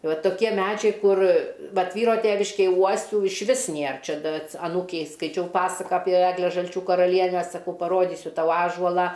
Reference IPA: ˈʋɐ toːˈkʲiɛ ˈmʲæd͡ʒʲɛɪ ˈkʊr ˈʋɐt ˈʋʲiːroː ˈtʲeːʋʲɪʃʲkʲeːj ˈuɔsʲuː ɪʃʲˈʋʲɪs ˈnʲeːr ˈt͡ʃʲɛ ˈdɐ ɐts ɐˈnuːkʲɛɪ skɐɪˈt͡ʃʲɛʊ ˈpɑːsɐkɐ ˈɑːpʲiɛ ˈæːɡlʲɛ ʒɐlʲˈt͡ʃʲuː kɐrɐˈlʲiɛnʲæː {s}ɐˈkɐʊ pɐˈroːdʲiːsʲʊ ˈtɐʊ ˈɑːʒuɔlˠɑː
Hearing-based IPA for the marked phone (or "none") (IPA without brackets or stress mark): s